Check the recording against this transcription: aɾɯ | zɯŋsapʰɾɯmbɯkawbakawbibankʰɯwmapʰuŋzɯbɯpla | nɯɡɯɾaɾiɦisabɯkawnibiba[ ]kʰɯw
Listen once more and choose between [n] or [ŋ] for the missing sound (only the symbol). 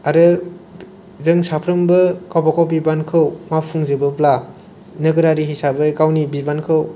n